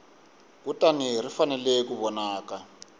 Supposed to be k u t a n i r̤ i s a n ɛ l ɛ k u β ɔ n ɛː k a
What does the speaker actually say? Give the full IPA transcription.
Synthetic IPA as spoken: k u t a n i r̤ i f a n ɛ l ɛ k u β ɔ n aː k a